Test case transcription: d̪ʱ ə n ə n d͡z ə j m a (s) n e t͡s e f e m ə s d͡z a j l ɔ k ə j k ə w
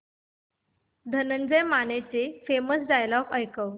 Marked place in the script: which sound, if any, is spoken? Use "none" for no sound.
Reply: none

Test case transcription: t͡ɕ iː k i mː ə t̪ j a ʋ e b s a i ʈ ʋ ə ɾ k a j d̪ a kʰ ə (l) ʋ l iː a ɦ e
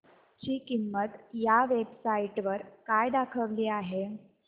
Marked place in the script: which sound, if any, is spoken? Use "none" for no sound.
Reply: none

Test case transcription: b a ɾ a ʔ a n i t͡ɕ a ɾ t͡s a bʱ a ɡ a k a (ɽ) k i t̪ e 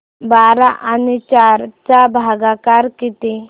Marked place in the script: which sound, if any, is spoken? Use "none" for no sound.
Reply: ɾ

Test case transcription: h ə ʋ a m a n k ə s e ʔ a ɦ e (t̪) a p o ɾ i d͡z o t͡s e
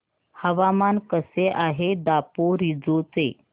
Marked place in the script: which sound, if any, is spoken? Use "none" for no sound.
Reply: d̪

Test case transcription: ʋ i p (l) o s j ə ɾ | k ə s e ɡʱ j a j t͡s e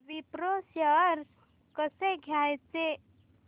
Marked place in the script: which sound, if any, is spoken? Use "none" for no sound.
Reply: ɾ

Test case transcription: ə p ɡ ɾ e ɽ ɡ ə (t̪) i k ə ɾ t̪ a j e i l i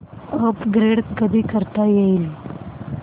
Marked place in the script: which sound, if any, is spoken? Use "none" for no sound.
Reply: d̪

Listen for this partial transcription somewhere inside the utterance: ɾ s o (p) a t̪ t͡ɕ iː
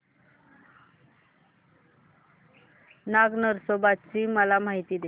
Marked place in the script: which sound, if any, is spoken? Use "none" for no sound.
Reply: b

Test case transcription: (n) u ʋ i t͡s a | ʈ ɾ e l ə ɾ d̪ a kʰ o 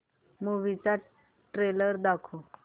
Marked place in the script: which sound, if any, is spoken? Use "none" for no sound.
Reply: m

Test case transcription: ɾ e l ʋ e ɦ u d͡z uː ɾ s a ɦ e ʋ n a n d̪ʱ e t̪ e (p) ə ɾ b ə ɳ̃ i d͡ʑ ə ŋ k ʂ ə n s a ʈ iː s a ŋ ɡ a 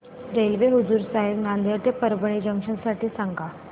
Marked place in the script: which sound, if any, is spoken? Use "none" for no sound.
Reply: p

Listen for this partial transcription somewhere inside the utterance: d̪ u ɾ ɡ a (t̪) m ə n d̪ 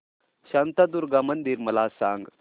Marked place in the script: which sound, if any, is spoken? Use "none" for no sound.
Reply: none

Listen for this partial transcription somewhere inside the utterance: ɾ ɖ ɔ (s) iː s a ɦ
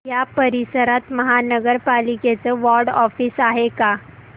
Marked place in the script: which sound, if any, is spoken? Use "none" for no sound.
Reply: f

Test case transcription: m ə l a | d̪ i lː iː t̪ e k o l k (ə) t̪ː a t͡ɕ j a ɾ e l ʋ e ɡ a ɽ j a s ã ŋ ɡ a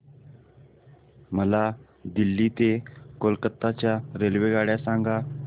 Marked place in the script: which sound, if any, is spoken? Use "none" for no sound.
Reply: ə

